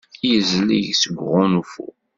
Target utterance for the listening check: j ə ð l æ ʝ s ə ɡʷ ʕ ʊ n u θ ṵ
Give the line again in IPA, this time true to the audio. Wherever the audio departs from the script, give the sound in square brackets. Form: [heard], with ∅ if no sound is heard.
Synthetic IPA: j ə [z] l [i] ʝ s ə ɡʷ [ʁ] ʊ n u [f] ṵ